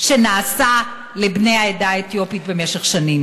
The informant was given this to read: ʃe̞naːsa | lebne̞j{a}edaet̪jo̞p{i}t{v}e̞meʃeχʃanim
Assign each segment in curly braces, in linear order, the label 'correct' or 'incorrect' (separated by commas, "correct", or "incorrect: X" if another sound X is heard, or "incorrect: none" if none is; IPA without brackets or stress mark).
correct, correct, incorrect: b